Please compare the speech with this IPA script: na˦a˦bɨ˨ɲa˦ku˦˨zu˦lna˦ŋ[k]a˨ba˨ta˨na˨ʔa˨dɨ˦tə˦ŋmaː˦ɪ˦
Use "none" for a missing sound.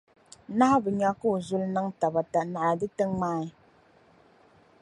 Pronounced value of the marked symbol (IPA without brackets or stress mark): t